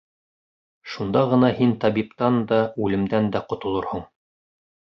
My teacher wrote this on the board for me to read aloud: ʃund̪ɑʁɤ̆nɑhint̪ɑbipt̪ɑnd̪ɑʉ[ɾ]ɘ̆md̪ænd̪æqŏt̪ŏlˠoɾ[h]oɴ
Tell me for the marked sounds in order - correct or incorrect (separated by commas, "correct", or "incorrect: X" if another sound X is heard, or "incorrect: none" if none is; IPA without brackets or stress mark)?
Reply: incorrect: l, correct